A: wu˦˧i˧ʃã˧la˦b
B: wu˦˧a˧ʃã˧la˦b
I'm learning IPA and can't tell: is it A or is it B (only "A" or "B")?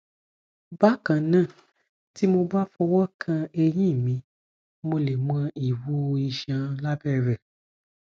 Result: A